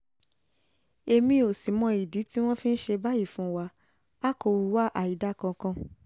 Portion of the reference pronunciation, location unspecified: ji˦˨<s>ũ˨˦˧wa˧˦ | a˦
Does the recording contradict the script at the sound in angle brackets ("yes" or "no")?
yes